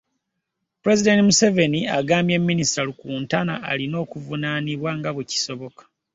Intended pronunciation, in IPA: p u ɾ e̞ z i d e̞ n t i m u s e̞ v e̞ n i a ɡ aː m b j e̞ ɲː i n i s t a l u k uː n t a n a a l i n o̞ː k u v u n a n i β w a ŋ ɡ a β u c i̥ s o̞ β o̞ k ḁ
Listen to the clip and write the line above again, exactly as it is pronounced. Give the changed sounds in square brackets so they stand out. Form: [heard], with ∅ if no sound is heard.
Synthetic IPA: p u ɾ e̞ z i d e̞ n t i m u s e̞ v e̞ n i a ɡ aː m b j e̞ [mː] i n i s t a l u k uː n t a n a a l i n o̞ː k u v u n a n i β w a ŋ ɡ a β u c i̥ s o̞ β o̞ k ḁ

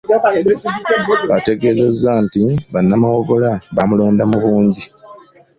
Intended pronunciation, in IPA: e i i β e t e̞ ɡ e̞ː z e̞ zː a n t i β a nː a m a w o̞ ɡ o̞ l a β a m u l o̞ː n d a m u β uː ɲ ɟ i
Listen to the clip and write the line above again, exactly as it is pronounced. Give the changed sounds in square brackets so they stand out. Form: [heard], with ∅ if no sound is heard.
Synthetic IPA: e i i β [a] t e̞ ɡ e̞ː z e̞ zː a n t i β a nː a m a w o̞ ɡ o̞ l a β a m u l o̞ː n d a m u β uː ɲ ɟ i

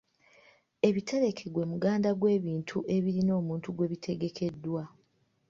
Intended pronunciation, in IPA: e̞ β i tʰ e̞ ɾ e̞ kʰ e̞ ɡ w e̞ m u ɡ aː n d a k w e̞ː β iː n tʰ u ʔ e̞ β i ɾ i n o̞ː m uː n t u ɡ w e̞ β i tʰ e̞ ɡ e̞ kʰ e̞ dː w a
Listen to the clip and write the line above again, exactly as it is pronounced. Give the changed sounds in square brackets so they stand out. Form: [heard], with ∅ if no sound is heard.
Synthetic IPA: e̞ β i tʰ e̞ ɾ e̞ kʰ e̞ ɡ w e̞ m u ɡ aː n d a [ɡ] w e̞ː β iː n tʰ u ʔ e̞ β i ɾ i n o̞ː m uː n t u ɡ w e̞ β i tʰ e̞ ɡ e̞ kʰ e̞ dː w a

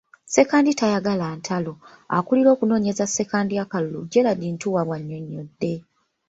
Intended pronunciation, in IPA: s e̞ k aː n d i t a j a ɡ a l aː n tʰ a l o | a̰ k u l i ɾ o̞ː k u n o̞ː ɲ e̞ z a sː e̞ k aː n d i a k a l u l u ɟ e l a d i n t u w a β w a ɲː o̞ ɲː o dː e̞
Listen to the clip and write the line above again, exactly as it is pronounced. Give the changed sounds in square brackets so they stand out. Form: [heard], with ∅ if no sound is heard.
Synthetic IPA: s e̞ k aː n d i t a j a ɡ a l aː n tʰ a l o | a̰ k u l i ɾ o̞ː k u n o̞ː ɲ e̞ z a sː e̞ k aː n d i a k a l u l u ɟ e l a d i n t u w a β w a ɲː o̞ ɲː o dː e̞

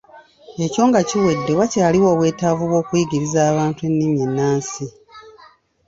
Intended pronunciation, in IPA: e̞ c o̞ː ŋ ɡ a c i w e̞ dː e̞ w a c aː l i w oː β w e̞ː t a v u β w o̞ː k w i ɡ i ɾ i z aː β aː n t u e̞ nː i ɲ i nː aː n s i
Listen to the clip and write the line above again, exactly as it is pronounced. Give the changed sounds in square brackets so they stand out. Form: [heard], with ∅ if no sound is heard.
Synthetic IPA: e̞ c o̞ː ŋ ɡ a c i w e̞ dː e̞ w a c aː l i w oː β w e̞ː t a v u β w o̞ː k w i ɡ i ɾ i z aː β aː n t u e̞ nː i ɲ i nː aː n s i

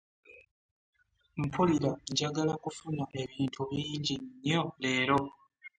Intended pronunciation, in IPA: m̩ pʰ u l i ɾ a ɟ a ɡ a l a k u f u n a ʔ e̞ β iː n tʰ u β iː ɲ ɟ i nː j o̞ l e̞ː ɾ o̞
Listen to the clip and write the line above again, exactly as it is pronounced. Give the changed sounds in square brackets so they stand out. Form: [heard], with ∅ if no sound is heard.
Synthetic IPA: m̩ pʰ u l i ɾ a ɟ a ɡ a l a k u f u n a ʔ e̞ β iː n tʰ u β iː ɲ ɟ i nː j o̞ l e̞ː ɾ o̞

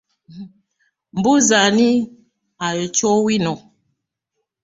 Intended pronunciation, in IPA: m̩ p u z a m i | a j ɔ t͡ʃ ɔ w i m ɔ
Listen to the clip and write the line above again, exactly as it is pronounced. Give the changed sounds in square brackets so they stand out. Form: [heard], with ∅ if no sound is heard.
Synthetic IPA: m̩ [b] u z a [n] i | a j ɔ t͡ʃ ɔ w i [n] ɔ

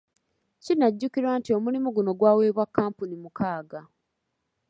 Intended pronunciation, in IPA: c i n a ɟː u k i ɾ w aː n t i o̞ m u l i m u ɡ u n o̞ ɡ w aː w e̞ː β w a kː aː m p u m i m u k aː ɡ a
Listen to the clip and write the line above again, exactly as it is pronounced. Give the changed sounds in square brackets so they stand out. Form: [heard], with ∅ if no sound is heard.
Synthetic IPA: c i n a ɟː u k i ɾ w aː n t i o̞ m u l i m u ɡ u n o̞ ɡ w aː w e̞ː β w a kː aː m p u [n] i m u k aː ɡ a

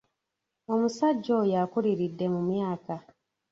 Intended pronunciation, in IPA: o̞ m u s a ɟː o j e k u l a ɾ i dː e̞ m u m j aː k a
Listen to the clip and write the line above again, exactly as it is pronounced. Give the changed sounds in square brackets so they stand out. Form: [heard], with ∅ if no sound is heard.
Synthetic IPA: o̞ m u s a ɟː o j [a] k u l [i] ɾ i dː e̞ m u m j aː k a

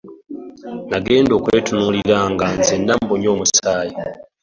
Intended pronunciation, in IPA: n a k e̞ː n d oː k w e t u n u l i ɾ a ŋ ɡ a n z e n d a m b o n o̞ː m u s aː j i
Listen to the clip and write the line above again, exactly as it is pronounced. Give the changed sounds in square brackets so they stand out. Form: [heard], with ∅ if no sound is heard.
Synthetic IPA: n a [ɡ] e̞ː n d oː k w e t u n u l i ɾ a ŋ ɡ a n z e n d a m b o [ɲ] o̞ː m u s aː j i

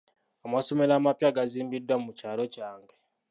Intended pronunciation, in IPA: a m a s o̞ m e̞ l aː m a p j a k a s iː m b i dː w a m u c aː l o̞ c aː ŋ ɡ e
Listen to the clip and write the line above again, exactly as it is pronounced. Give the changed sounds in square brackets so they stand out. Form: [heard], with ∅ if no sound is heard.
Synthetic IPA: a m a s o̞ m e̞ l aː m a p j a [ɡ] a [z] iː m b i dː w a m u c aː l o̞ c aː ŋ ɡ e

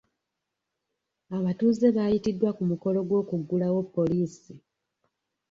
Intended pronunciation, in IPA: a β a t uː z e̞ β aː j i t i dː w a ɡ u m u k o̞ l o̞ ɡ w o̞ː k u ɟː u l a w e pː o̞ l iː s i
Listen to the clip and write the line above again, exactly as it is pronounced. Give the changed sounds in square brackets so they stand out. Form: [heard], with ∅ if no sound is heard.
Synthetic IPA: a β a t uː z e̞ β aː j i t i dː w a [k] u m u k o̞ l o̞ ɡ w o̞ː k u [ɡː] u l a w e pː o̞ l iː s i

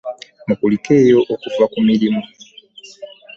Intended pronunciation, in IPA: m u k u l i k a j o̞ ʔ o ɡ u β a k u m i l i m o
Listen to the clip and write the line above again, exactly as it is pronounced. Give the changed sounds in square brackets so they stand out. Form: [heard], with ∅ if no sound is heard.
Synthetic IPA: m u k u l i k [e] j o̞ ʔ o [k] u [v] a k u m i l i m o

